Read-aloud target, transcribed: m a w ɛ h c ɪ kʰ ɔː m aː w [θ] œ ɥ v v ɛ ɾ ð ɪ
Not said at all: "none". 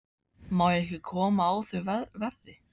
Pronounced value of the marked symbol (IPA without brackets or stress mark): θ